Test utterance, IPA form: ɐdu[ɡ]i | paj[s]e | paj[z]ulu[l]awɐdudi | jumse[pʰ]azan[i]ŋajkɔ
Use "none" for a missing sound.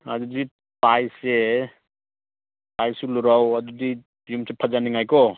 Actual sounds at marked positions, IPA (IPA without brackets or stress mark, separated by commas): d, s, s, ɾ, pʰ, i